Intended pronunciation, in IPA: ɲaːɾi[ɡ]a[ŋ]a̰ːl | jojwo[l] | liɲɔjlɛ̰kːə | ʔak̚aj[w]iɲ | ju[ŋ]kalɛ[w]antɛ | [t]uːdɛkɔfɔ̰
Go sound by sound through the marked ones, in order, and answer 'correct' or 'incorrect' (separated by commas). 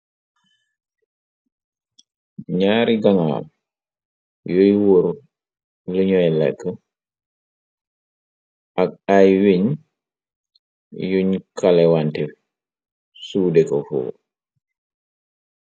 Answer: correct, correct, incorrect, correct, incorrect, correct, incorrect